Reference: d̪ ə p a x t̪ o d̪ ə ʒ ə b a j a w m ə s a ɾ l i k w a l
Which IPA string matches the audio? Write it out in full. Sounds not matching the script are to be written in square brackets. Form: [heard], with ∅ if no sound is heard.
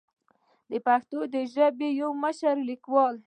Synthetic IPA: d̪ ə p a x t̪ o d̪ ə ʒ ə b [e] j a w m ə [ʃ] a ɾ l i k w [ɑ] l